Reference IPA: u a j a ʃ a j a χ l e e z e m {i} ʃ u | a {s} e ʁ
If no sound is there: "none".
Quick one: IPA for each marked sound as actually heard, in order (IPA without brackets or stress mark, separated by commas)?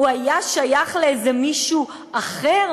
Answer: i, χ